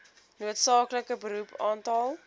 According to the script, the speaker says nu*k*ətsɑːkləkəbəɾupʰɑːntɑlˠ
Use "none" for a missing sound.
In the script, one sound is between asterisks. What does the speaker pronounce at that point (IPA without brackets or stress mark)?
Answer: none